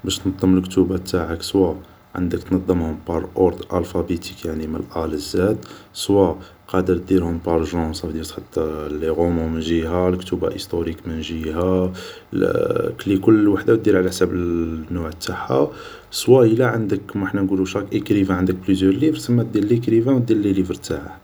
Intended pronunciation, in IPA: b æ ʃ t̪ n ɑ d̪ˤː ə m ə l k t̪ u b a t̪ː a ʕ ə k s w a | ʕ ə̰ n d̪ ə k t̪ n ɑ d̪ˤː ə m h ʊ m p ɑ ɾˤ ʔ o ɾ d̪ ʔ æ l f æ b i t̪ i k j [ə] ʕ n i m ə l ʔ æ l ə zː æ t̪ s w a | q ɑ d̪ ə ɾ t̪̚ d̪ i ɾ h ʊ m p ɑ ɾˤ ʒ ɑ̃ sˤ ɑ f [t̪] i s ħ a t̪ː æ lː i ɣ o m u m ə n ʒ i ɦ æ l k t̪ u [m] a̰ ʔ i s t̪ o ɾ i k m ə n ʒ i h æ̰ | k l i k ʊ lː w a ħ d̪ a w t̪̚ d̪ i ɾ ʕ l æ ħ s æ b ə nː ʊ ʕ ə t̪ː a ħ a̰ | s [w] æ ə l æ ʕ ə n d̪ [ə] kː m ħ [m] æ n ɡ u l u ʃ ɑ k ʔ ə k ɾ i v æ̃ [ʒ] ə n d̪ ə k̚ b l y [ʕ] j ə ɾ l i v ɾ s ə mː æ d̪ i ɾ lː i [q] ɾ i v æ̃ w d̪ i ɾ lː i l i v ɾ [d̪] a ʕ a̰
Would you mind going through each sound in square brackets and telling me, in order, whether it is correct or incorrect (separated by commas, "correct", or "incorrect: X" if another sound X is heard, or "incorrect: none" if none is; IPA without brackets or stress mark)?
incorrect: a, incorrect: d̪, incorrect: b, correct, correct, incorrect: n, incorrect: ʕ, incorrect: z, incorrect: k, incorrect: t̪